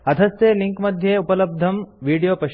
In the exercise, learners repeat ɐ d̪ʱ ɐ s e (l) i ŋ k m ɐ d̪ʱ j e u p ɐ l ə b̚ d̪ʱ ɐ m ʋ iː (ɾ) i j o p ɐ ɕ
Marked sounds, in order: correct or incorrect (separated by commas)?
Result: correct, incorrect